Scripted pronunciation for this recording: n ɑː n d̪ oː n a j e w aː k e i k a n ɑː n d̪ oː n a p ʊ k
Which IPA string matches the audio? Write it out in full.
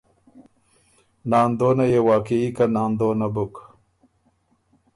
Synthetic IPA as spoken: n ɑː n d̪ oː n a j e w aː k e i k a n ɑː n d̪ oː n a b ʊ k